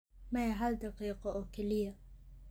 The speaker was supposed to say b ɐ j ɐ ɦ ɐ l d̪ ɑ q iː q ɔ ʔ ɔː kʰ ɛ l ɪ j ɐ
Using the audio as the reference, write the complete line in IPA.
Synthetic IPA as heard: m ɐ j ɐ ɦ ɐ l d̪ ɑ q iː q ɔ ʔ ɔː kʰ ɛ l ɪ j ɐ